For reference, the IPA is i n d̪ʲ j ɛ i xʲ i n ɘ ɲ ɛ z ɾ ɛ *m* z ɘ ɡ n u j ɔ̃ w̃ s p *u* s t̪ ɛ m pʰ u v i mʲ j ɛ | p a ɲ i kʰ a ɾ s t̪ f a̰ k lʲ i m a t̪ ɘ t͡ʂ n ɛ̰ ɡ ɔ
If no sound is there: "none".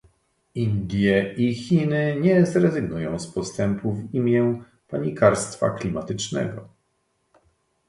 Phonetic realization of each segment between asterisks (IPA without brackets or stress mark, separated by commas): none, ɔ